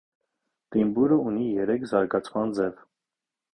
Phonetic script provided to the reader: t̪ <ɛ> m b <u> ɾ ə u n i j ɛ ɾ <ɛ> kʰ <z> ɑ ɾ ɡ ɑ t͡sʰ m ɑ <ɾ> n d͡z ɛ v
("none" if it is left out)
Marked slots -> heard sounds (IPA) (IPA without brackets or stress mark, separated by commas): i, u, ɛ, z, none